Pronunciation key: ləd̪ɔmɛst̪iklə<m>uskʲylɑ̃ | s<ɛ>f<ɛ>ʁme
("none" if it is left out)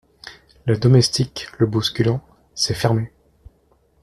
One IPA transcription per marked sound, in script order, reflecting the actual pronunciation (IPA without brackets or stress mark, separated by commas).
b, ɛ, ɛ